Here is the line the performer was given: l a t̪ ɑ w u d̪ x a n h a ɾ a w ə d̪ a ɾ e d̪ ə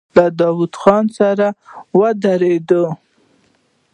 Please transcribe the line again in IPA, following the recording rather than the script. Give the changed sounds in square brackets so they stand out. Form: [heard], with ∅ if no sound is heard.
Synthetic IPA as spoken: l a [d̪] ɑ w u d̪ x [ɑ] n [s] a ɾ a w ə d̪ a ɾ e d̪ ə